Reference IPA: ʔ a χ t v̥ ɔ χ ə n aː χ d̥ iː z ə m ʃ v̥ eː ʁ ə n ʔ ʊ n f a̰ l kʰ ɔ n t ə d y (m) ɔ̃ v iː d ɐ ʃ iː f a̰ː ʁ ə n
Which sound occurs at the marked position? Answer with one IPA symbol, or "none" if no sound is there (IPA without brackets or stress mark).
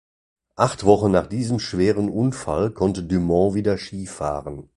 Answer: m